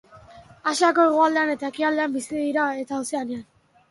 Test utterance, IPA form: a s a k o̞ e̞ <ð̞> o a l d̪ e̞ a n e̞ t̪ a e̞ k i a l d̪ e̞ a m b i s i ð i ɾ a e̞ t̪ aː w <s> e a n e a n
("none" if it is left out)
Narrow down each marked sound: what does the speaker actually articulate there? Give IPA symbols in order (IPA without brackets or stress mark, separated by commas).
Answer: ɣ̞, s